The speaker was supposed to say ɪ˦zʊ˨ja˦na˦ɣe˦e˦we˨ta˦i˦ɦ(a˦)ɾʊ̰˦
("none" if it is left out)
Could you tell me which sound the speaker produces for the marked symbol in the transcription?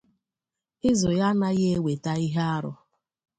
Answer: a˦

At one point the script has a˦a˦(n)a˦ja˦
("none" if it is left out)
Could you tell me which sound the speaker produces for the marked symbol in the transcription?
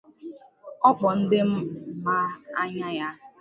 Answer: ɲ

